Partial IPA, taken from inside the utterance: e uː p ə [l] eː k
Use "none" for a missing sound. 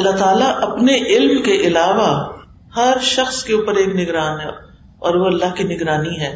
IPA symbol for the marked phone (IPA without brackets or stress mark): ɾ